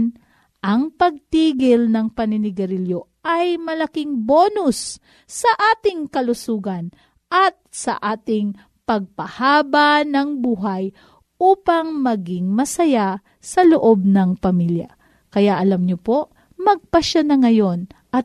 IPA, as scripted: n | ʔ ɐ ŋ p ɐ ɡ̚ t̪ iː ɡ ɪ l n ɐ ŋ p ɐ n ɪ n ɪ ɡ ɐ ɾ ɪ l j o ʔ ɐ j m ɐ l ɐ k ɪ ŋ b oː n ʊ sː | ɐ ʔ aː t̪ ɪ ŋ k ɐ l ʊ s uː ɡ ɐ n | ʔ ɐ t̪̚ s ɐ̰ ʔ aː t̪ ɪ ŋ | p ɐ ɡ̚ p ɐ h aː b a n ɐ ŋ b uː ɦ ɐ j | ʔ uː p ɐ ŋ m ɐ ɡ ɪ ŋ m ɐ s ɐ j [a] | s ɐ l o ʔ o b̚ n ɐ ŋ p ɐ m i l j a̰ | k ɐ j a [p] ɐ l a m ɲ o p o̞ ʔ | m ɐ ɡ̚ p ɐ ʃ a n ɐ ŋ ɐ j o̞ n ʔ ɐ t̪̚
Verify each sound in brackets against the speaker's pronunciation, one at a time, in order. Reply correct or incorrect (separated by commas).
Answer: correct, incorrect